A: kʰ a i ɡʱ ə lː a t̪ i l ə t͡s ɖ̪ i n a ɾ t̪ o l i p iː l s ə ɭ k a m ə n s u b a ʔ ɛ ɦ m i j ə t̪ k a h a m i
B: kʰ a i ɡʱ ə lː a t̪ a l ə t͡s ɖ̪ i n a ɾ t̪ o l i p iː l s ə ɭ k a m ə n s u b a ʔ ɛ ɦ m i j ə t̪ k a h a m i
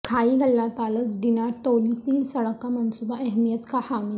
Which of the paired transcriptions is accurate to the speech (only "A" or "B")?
B